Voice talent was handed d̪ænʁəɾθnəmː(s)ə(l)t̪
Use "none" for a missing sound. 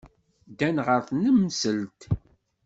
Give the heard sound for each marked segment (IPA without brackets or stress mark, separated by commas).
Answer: s, l